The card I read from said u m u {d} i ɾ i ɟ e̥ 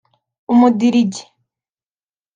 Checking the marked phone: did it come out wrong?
no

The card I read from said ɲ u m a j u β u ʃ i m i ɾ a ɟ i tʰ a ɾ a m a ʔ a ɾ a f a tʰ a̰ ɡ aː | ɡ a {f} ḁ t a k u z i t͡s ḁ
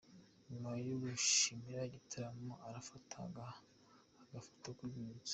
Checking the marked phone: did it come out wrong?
no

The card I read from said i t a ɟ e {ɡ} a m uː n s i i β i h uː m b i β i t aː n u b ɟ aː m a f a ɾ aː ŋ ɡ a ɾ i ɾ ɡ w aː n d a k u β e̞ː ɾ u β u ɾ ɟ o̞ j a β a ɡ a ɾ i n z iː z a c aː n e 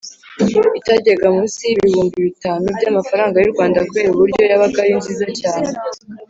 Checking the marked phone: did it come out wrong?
no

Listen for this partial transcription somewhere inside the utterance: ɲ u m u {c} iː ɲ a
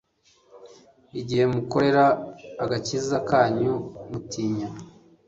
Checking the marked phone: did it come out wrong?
yes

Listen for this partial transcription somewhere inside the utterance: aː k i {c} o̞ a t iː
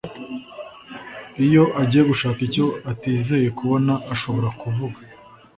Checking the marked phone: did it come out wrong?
no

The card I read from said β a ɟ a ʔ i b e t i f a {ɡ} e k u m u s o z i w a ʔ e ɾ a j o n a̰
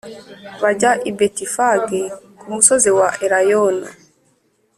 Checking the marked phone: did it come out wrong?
no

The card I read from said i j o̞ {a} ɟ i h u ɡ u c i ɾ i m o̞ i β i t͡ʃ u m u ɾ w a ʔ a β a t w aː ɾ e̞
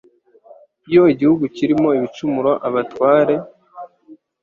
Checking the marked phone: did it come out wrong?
yes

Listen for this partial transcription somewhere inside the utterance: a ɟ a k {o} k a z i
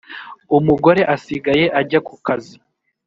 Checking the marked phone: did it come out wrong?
yes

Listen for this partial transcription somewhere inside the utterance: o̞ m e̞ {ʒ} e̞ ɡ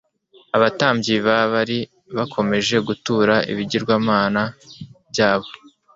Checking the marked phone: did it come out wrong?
no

